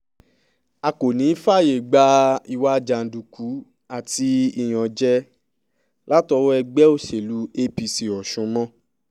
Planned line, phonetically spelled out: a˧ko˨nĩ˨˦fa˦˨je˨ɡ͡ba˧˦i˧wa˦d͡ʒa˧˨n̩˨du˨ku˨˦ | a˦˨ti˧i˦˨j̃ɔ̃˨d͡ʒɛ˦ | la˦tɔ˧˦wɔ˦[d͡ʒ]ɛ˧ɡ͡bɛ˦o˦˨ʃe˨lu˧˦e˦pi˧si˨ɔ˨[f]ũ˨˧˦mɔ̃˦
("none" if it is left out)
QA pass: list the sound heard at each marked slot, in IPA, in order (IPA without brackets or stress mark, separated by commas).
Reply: none, ʃ